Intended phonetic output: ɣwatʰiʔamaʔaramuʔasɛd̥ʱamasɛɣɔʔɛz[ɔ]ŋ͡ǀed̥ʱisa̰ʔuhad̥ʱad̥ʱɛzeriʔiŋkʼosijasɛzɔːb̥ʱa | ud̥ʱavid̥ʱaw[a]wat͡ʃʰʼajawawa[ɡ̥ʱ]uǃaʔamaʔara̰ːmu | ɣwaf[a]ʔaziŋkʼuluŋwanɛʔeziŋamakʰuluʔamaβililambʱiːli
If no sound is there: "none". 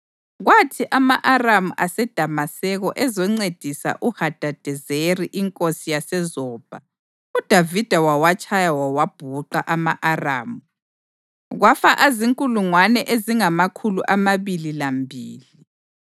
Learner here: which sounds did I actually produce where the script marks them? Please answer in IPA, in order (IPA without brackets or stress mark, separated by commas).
ɔ, a, b̥ʱ, a